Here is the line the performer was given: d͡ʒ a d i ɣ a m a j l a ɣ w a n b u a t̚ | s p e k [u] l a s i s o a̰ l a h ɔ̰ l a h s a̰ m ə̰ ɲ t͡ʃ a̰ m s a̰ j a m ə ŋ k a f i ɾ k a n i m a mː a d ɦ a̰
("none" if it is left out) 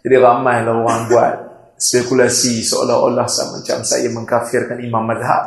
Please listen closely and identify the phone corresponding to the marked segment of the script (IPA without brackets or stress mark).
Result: u